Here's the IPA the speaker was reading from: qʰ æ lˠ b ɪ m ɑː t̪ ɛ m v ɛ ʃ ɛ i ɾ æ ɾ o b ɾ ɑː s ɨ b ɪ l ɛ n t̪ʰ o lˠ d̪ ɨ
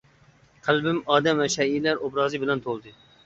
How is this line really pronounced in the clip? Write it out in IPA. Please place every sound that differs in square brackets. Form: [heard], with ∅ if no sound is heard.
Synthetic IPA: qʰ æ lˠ b ɪ m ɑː [d̪] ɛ m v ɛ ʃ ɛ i [l] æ ɾ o b ɾ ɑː [z] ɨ b ɪ l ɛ n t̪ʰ o lˠ d̪ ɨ